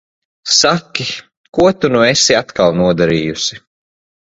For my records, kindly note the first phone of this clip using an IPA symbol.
s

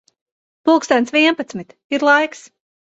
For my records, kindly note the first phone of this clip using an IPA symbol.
p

